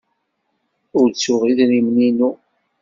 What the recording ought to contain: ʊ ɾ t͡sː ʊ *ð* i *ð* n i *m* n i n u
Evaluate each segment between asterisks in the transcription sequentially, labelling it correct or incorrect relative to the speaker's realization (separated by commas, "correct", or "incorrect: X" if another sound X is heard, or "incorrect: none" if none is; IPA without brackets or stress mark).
incorrect: ʁ, correct, correct